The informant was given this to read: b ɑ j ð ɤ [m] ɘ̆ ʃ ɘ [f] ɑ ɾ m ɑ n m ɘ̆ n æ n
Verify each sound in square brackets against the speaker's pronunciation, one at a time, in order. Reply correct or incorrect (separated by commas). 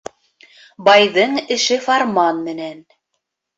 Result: incorrect, correct